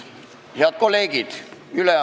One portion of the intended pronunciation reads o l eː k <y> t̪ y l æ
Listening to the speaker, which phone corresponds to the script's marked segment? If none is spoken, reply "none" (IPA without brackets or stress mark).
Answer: i